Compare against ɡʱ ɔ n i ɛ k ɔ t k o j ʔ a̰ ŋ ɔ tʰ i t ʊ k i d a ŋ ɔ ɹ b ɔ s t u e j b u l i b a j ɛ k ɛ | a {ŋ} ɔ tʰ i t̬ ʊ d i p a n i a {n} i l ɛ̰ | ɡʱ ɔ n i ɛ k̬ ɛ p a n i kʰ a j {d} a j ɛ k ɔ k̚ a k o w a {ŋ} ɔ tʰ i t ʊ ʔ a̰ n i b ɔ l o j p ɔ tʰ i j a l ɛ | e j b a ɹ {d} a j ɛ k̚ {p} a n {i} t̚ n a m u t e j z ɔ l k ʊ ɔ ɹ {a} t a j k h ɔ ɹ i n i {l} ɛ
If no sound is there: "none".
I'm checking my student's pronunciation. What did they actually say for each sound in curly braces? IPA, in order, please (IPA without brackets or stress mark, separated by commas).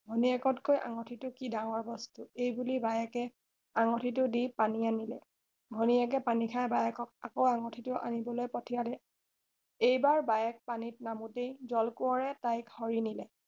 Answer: ŋ, n, b, ŋ, b, p, i, ɛ, l